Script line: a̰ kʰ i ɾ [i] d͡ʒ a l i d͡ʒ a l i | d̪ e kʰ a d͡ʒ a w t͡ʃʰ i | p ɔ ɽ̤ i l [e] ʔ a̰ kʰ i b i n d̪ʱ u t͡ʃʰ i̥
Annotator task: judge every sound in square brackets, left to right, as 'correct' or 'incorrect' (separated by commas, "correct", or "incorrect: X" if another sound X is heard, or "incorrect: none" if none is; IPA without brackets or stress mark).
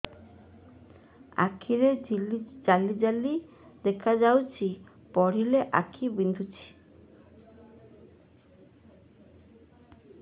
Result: incorrect: e, correct